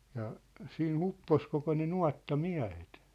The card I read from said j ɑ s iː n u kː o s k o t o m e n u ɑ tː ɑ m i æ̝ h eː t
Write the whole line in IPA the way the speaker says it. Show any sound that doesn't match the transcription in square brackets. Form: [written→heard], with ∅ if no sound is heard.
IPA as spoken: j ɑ s iː n u [kː→pː] o s k o [t→k] o [m→n] e n u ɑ tː ɑ m i æ̝ h [eː→e] t